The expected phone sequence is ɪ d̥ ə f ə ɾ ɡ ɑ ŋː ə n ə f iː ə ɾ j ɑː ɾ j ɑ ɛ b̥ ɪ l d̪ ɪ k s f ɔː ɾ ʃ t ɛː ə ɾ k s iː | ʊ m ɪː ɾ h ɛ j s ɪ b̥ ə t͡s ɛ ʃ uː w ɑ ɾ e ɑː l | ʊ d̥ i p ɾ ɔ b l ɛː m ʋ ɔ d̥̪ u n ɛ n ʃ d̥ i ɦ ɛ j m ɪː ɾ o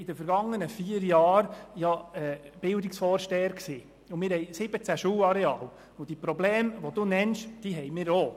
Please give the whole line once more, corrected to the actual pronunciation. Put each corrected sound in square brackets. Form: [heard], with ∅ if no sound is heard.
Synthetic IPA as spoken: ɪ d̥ ə f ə ɾ ɡ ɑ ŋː ə n ə f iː ə ɾ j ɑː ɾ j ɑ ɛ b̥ ɪ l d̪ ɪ k s f ɔː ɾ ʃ t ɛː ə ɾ k s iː | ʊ m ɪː ɾ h ɛ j s ɪ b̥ ə t͡s [æ] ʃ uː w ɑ ɾ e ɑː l | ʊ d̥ i p ɾ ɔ b l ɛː m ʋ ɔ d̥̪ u n ɛ n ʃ d̥ i ɦ ɛ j m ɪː ɾ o